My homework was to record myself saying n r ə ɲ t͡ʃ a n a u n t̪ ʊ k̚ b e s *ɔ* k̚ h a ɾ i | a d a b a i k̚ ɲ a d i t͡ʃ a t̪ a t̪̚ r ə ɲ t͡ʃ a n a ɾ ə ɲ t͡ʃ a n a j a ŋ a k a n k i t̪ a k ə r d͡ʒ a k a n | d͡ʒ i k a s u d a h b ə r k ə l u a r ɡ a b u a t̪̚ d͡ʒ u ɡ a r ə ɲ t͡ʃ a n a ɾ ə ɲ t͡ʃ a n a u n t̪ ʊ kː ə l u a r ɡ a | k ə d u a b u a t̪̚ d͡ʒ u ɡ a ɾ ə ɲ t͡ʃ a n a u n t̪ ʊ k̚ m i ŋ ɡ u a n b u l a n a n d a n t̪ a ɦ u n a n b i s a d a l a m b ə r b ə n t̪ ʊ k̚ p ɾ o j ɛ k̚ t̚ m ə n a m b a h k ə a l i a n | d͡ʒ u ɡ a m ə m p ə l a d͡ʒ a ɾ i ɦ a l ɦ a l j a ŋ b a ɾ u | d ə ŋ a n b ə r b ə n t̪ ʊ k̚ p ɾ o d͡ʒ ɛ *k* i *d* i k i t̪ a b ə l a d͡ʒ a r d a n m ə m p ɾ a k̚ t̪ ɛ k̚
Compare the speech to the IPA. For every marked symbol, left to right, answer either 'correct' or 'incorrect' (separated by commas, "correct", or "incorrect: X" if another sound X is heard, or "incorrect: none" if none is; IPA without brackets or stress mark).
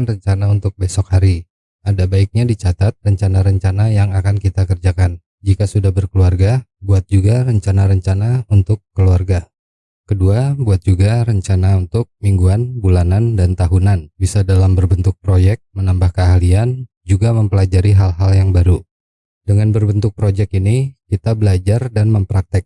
correct, correct, incorrect: n